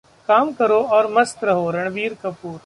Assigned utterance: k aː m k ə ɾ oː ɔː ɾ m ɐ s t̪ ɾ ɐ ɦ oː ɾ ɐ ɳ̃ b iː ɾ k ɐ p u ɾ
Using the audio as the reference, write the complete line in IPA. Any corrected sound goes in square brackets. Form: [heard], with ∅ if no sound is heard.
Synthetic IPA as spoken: k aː m k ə ɾ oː ɔː ɾ m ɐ s t̪ ɾ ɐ ɦ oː ɾ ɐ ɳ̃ b iː ɾ k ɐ p [uː] ɾ